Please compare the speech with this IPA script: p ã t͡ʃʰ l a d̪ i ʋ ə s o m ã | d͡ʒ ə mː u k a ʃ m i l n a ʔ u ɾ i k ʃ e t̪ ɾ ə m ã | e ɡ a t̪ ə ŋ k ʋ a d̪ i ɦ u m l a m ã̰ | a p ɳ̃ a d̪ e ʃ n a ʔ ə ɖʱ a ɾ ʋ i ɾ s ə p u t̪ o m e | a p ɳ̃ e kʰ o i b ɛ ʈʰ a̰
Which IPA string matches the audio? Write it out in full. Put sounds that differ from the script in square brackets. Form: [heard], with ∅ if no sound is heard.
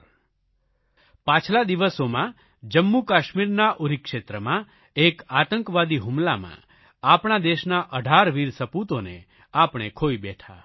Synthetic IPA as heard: p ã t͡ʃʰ l a d̪ i ʋ ə s o m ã | d͡ʒ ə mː u k a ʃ m i [ɾ] n a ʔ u ɾ i k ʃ e t̪ ɾ ə m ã | e [k] a t̪ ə ŋ k ʋ a d̪ i ɦ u m l a m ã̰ | a p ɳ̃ a d̪ e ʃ n a ʔ ə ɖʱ a ɾ ʋ i ɾ s ə p u t̪ o [n] e | a p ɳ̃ e kʰ o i b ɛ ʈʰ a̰